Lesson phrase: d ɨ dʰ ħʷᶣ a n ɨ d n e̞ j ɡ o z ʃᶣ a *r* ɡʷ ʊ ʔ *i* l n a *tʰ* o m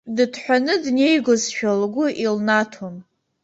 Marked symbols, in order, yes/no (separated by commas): no, yes, yes